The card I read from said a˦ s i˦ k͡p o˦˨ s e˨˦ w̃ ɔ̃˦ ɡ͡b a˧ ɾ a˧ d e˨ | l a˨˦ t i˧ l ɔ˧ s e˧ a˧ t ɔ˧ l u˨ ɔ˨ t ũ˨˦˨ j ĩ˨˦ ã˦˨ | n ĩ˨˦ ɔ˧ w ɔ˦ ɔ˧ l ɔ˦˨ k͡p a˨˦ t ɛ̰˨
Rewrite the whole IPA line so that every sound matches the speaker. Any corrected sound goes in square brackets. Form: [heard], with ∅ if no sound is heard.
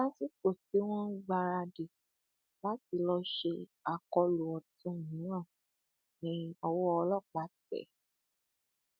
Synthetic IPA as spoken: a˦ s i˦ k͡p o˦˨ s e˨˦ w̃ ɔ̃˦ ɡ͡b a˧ ɾ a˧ d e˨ | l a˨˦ t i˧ l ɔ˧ [ʃ] e˧ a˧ [k] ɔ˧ l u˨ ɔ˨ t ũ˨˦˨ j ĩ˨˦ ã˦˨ | n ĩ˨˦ ɔ˧ w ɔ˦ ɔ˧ l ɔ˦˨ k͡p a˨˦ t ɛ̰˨